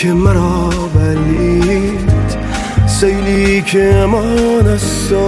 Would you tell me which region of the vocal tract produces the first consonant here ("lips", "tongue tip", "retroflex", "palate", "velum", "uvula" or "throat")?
lips